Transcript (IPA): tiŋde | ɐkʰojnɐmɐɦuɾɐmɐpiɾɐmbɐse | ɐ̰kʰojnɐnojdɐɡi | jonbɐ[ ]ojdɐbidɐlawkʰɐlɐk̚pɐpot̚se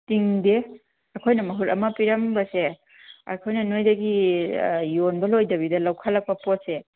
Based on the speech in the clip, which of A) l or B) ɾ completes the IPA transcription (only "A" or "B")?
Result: A